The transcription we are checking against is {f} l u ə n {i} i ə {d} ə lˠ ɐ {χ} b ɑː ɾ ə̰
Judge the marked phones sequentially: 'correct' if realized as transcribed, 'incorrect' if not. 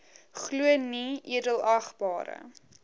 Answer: incorrect, correct, correct, correct

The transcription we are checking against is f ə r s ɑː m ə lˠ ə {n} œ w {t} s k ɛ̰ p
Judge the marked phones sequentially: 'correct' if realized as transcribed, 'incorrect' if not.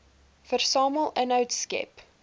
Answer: correct, correct

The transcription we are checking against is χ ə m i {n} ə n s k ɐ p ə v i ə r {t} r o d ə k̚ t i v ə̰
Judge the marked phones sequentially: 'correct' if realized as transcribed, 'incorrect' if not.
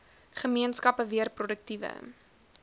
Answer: incorrect, incorrect

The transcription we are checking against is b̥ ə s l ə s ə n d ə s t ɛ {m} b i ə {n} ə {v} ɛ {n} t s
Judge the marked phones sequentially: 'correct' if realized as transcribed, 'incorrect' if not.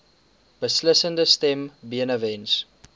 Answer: correct, correct, correct, correct

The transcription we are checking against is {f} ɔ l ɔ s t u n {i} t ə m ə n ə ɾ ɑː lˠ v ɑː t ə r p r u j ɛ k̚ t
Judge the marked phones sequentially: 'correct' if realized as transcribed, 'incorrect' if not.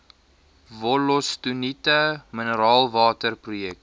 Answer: incorrect, correct

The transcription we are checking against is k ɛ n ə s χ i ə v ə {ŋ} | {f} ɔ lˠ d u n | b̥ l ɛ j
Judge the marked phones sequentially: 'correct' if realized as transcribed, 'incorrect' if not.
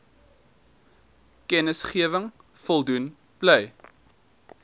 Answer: correct, correct

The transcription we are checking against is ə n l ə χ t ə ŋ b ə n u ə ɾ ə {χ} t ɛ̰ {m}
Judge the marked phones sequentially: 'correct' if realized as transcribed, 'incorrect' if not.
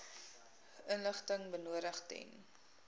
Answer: correct, incorrect

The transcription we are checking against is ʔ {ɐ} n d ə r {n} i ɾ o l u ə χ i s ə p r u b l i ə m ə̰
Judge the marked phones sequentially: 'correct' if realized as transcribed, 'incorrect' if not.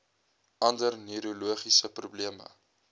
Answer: correct, correct

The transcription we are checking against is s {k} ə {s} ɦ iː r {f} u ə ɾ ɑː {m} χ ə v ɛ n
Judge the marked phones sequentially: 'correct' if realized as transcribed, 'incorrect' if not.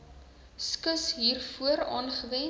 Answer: correct, correct, correct, incorrect

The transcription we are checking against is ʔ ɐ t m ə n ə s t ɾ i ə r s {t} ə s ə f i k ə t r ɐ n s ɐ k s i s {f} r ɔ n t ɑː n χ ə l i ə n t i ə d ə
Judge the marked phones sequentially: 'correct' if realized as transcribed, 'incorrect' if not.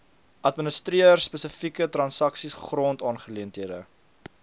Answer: incorrect, incorrect

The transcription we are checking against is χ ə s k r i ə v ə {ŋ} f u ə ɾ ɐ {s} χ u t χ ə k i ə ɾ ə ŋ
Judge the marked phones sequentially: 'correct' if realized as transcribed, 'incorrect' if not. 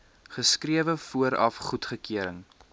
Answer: incorrect, incorrect

